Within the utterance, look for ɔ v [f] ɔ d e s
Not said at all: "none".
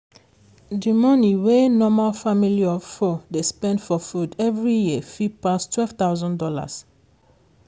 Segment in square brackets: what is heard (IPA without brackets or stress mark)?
f